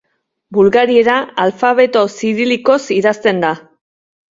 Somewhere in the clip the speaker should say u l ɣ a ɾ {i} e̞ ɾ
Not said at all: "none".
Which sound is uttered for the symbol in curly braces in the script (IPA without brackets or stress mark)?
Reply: i